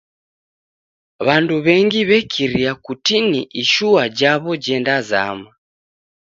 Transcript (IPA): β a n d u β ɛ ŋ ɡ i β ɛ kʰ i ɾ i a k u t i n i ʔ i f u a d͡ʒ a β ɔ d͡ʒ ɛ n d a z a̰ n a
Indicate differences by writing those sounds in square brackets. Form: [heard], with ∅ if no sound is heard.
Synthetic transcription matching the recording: β a n d u β ɛ ŋ ɡ i β ɛ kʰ i ɾ i a k u t i n i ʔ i [ʃ] u a d͡ʒ a β ɔ d͡ʒ ɛ n d a z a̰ [m] a